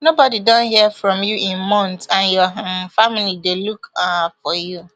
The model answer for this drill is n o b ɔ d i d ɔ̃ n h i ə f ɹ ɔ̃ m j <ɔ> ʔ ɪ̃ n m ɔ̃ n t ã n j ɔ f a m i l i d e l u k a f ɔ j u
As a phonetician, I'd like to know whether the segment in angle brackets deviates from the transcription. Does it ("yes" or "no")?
yes